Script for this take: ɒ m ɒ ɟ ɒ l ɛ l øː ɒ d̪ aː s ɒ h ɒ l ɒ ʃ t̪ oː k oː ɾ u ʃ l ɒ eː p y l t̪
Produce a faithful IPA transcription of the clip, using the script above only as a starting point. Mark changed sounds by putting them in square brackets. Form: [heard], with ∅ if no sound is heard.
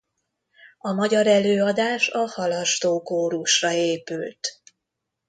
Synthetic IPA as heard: ɒ m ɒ ɟ ɒ [ɾ] ɛ l øː ɒ d̪ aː [ʃ] ɒ h ɒ l ɒ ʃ t̪ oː k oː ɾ u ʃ [r] ɒ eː p y l t̪